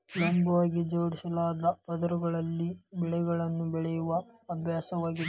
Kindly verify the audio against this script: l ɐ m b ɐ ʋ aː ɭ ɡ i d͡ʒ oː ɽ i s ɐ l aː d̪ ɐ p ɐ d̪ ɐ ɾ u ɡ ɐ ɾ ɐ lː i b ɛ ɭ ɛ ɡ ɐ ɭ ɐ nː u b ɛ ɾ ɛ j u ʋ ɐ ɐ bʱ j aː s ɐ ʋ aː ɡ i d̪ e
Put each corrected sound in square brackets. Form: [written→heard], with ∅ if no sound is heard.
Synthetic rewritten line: l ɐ m b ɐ ʋ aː [ɭ→∅] ɡ i d͡ʒ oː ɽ i s ɐ l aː d̪ ɐ p ɐ d̪ ɐ ɾ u ɡ ɐ [ɾ→ɭ] ɐ lː i b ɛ ɭ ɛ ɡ ɐ ɭ ɐ nː u b ɛ [ɾ→ɭ] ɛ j u ʋ ɐ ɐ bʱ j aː s ɐ ʋ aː ɡ i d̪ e